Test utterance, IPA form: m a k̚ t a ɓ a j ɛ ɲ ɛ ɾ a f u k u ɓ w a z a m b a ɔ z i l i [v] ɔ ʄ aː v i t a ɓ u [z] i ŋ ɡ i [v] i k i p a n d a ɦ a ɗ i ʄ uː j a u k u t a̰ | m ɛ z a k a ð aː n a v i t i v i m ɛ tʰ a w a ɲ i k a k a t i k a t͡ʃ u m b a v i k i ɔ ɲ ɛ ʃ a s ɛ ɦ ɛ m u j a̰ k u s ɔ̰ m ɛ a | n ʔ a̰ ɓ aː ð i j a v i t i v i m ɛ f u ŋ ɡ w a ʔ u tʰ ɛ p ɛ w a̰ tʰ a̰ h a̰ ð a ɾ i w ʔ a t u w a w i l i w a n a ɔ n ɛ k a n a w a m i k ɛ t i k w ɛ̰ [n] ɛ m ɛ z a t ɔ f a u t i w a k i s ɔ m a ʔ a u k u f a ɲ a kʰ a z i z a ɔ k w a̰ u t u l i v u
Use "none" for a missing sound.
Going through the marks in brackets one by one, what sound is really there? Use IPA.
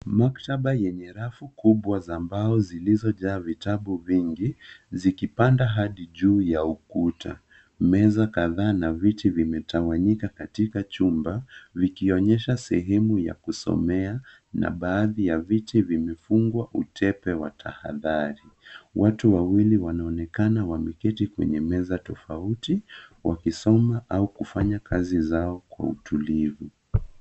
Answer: z, v, z, ɲ

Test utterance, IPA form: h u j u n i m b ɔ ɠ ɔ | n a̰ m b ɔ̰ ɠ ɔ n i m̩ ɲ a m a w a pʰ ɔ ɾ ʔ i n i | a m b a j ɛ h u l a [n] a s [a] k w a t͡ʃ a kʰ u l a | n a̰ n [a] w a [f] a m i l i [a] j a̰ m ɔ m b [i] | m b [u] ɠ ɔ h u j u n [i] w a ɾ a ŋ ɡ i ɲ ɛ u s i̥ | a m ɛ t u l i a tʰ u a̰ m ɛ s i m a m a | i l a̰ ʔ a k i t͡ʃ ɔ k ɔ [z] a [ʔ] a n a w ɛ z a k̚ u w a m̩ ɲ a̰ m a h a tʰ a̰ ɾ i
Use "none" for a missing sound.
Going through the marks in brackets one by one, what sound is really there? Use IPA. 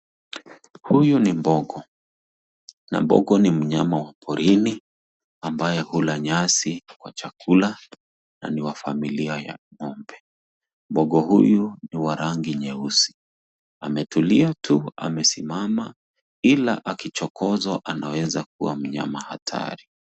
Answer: ɲ, i, i, f, a, ɛ, ɔ, i, z, ʔ

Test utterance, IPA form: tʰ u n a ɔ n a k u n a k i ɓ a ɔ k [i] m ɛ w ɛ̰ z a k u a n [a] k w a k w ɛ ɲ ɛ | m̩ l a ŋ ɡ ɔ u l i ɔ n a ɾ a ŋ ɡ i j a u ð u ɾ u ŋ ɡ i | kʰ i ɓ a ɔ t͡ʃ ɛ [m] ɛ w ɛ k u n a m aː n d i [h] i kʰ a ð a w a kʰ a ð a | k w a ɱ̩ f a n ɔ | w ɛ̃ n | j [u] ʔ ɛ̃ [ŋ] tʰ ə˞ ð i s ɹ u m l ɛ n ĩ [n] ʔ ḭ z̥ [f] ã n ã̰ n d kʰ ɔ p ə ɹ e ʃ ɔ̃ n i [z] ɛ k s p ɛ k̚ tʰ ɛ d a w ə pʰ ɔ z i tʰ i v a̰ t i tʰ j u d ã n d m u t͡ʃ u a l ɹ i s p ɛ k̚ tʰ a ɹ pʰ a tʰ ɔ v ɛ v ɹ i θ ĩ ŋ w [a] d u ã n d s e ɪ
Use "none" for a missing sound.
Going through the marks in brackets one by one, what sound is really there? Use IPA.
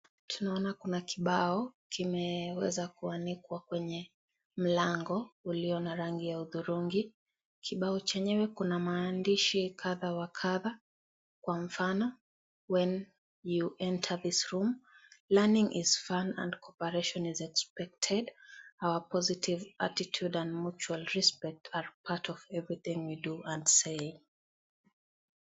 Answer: i, i, ɲ, ʃ, u, n, ŋ, f, z, i

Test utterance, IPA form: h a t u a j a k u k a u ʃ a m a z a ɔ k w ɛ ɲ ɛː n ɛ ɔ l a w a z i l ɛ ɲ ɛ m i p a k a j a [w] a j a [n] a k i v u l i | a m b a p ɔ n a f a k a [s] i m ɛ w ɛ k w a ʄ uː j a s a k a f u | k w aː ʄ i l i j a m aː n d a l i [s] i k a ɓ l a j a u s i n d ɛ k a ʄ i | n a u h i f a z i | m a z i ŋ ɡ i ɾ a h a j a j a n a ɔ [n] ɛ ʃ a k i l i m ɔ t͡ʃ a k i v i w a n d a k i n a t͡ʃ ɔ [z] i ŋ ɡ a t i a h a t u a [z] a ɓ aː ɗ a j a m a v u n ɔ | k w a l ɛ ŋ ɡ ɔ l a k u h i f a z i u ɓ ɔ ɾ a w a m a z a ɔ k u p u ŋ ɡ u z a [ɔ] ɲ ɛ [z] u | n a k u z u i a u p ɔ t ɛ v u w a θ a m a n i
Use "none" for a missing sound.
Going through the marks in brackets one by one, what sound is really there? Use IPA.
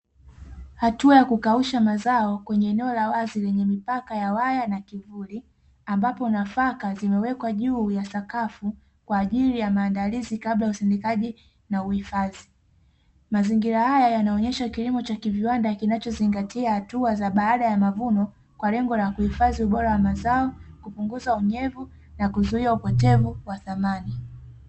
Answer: w, n, z, z, ɲ, z, z, u, v

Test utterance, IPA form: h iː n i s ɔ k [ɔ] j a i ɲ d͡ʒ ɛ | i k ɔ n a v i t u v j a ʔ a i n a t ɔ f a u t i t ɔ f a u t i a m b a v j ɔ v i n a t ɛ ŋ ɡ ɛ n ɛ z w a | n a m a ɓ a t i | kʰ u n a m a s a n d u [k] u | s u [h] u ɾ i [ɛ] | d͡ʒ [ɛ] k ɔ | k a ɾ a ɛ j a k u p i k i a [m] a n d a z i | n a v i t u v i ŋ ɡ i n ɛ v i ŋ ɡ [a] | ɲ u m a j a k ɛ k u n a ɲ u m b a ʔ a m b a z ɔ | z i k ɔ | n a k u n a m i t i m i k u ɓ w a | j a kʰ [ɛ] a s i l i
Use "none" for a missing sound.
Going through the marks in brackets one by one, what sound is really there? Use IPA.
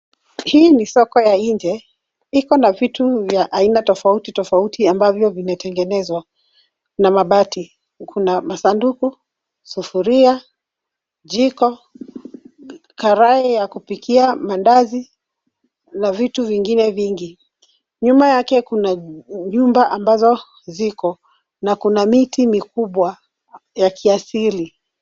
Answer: ɔ, k, f, a, i, m, i, i

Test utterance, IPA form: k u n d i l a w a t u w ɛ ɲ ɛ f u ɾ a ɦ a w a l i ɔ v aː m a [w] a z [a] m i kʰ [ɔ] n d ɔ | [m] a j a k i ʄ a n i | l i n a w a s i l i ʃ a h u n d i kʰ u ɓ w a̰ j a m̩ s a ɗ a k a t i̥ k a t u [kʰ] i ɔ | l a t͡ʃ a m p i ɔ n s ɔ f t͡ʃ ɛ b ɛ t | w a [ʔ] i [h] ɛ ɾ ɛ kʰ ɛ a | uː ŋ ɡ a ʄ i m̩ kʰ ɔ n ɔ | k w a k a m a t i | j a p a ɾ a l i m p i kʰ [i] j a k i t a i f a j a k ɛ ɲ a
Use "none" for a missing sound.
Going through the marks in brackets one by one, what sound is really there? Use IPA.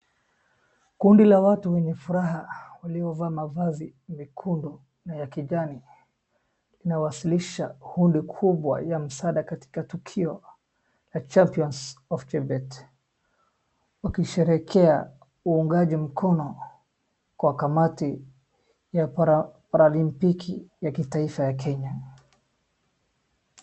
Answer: v, i, u, n, kʰ, k, ʃ, i

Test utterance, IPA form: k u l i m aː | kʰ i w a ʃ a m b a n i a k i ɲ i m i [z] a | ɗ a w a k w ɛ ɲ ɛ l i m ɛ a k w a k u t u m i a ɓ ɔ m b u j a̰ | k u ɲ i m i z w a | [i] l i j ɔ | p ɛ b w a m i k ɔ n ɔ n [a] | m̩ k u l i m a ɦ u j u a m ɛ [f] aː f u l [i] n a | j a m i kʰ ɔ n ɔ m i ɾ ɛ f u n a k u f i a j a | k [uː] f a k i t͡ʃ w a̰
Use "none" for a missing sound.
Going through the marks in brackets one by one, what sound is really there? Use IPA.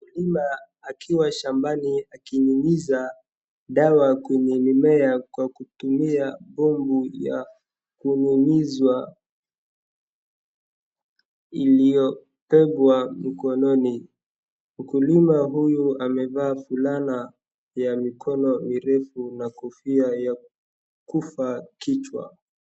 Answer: z, i, i, v, a, u

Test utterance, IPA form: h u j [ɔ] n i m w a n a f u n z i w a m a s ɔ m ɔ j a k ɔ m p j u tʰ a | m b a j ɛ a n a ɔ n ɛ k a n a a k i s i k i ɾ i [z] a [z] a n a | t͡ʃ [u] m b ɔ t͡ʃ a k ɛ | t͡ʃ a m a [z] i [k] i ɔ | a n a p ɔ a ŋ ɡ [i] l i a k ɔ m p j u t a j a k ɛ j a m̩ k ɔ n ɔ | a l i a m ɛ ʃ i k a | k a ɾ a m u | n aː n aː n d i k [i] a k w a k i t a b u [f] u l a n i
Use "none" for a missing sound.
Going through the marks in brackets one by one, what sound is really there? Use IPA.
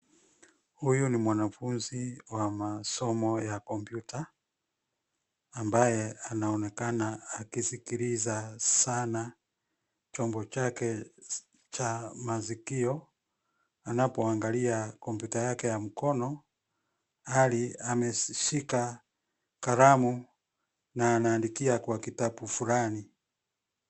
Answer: u, z, s, ɔ, z, k, a, i, f

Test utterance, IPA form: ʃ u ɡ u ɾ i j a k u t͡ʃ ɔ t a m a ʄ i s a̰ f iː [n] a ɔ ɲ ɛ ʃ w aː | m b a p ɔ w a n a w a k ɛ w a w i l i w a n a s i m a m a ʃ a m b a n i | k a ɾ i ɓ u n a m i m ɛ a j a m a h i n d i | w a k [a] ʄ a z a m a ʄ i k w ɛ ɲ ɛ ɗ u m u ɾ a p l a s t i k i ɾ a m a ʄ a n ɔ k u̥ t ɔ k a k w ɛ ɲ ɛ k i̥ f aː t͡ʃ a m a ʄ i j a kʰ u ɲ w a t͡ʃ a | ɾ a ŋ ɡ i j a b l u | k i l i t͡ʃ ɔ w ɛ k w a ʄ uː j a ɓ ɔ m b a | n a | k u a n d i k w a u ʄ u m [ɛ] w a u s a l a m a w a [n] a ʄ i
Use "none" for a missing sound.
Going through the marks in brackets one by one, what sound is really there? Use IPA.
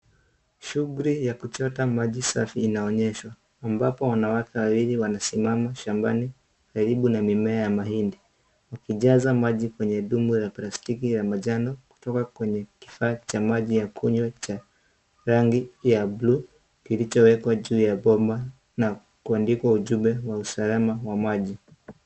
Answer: n, i, ɛ, m

